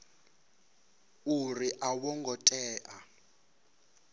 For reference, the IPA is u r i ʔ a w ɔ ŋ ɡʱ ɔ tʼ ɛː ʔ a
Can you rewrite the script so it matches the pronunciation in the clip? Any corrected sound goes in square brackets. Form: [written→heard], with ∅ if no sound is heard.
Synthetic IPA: u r i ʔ a w ɔ ŋ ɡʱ ɔ tʼ ɛː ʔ a